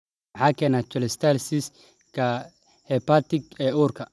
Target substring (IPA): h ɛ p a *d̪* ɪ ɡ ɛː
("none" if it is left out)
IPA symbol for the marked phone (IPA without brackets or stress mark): t̪